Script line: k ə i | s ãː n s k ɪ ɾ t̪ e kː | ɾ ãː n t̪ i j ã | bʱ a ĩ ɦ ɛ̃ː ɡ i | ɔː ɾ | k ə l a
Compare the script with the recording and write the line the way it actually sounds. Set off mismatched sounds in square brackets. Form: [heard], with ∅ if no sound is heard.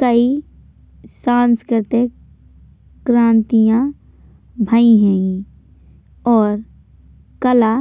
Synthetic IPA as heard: k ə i | s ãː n s k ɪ ɾ t̪ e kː | ɾ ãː n t̪ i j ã | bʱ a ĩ ɦ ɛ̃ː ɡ i | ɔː ɾ | k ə l a